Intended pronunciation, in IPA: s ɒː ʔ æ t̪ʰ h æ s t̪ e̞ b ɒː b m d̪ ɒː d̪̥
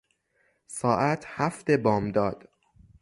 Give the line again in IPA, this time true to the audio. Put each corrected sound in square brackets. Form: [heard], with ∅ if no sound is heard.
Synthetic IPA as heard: s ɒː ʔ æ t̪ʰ h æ [f] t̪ e̞ b ɒː [∅] m d̪ ɒː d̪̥